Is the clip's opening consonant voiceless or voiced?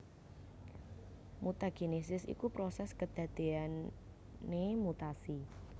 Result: voiced